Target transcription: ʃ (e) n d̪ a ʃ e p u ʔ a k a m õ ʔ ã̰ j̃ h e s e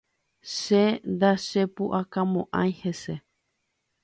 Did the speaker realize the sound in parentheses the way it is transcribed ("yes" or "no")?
yes